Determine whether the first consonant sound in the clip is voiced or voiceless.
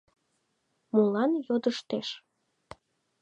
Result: voiced